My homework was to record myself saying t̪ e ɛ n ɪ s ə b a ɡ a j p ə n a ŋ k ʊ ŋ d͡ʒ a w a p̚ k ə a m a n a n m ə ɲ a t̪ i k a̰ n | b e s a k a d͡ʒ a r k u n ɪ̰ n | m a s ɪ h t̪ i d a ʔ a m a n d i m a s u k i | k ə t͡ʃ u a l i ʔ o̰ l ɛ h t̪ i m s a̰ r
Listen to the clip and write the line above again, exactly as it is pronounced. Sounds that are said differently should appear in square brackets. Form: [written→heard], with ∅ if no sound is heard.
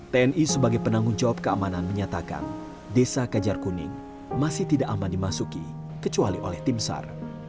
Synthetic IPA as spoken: t̪ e ɛ n [ɪ→i] s ə b a ɡ a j p ə n a ŋ [k→ɡ] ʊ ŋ d͡ʒ a w a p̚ k ə a m a n a n m ə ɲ a t̪ [i→a] k a̰ n | [b→d] e s a k a d͡ʒ a r k u n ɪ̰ [n→ŋ] | m a s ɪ h t̪ i d a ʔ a m a n d i m a s u k i | k ə t͡ʃ u a l i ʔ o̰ l ɛ h t̪ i m s a̰ r